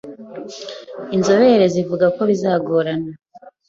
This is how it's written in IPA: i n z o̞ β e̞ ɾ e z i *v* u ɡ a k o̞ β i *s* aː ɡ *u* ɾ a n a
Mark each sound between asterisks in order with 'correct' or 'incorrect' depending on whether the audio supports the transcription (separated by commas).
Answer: correct, incorrect, incorrect